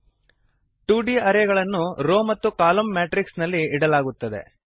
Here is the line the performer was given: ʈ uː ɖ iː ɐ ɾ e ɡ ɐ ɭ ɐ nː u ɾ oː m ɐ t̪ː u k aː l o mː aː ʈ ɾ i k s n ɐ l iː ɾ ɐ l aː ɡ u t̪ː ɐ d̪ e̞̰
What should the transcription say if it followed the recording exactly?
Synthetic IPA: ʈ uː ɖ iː ɐ ɾ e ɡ ɐ ɭ ɐ nː u ɾ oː m ɐ t̪ː u k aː l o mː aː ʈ ɾ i k s n ɐ lː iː ɽ ɐ l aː ɡ u t̪ː ɐ d̪ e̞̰